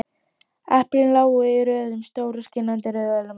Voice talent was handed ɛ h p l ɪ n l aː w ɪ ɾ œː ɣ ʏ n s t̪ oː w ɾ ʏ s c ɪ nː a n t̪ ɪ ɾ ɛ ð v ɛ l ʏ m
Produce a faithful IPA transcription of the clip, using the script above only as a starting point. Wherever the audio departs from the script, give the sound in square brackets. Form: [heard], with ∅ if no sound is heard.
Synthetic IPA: ɛ h p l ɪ n l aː w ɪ ɾ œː [ð] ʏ [m] s t̪ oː w ɾ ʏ s c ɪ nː a n t̪ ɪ ɾ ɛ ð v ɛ l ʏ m